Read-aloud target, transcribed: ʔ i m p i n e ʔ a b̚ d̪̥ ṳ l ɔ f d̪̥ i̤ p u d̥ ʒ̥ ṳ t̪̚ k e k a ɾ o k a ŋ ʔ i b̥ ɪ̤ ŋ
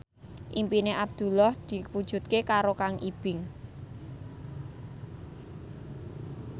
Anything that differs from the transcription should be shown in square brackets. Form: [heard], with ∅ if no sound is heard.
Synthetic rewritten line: ʔ i m p i n e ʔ a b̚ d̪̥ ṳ l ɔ [h] d̪̥ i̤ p u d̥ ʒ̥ ṳ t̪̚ k e k a ɾ o k a ŋ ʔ i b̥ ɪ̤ ŋ